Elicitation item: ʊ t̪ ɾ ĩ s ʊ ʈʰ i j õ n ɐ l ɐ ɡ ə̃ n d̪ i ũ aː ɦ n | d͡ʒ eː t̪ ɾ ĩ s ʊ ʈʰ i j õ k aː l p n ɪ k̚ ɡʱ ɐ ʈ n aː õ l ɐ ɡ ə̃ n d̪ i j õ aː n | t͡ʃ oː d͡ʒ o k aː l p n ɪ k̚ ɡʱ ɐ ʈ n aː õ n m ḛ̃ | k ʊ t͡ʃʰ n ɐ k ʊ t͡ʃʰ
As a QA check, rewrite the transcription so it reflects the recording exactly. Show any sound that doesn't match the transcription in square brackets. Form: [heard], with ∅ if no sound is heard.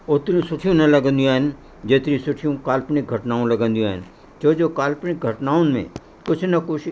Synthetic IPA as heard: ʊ t̪ ɾ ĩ s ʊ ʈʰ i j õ n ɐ l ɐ ɡ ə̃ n d̪ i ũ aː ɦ n | d͡ʒ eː t̪ ɾ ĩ s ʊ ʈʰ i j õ k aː l p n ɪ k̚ ɡʱ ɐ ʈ n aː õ l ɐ ɡ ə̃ n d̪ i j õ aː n | t͡ʃ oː d͡ʒ o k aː l p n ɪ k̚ ɡʱ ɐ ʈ n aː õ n m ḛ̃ | k ʊ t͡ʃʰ n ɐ k ʊ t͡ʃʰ